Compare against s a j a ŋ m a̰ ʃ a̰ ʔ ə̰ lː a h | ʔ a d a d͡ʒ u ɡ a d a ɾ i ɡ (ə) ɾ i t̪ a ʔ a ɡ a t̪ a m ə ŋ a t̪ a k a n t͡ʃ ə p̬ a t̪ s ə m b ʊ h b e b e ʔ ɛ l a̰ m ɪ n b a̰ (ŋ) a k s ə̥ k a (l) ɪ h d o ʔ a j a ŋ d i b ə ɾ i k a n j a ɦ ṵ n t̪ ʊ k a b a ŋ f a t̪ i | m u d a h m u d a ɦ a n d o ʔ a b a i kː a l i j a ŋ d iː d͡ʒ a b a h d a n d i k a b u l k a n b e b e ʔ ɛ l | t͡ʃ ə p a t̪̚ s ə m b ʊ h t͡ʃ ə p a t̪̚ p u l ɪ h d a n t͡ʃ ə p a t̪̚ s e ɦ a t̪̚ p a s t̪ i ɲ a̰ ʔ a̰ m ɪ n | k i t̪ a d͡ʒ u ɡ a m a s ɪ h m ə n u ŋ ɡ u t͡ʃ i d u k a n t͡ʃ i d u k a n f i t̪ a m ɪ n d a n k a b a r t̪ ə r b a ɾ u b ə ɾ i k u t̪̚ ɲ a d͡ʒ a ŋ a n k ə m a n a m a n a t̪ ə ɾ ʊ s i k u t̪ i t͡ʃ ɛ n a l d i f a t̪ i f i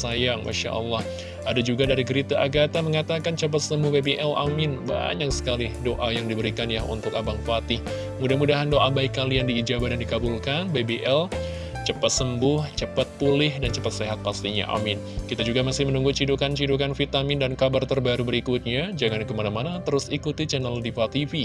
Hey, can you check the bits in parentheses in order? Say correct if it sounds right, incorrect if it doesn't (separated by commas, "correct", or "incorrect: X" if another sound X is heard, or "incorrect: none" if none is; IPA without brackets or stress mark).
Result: correct, incorrect: ɲ, correct